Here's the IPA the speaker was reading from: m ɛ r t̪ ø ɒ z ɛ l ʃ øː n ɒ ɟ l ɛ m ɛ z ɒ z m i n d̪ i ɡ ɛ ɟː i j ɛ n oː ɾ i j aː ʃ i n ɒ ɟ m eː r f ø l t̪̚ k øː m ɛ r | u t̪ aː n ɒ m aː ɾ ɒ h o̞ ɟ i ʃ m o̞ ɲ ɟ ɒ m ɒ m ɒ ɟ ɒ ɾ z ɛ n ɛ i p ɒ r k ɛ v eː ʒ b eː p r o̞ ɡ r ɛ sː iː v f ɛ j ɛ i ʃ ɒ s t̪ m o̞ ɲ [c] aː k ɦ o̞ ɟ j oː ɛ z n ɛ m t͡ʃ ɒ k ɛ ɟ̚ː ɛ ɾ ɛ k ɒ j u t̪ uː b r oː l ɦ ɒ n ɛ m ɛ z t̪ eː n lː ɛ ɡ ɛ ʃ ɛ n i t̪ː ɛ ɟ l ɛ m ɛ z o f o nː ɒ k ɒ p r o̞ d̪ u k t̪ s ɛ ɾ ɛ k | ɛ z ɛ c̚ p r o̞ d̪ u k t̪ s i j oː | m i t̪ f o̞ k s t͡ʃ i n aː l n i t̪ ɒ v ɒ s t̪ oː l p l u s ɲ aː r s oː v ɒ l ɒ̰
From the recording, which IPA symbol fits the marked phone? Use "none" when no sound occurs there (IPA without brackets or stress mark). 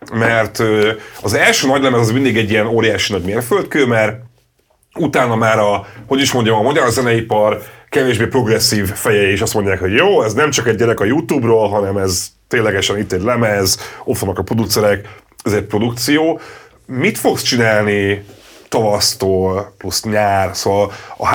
ɟ